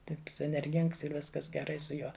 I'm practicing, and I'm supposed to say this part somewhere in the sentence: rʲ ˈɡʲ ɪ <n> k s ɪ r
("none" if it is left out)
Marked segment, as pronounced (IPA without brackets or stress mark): ŋ